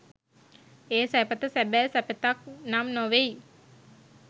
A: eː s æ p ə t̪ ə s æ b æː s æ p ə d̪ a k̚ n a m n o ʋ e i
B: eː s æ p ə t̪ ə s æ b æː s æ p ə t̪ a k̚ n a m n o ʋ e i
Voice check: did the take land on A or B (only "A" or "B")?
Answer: B